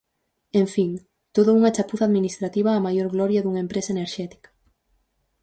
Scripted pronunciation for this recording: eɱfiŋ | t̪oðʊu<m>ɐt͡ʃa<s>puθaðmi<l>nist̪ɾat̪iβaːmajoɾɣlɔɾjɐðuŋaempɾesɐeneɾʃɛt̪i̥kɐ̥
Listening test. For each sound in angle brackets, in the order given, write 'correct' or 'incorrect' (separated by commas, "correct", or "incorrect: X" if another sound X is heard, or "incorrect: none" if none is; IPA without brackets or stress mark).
incorrect: ŋ, incorrect: none, incorrect: none